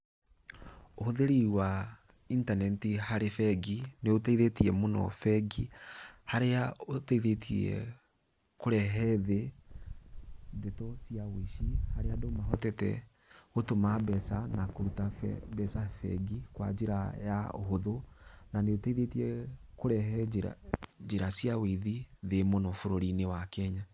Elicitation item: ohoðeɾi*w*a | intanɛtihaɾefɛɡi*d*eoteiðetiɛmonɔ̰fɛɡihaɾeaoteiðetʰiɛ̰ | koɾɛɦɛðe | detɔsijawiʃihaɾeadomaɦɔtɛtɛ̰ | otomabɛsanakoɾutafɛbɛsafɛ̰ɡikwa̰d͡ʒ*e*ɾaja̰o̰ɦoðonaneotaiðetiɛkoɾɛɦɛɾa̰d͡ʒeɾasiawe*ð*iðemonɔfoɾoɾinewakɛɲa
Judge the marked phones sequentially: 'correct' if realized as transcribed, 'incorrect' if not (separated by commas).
correct, incorrect, correct, correct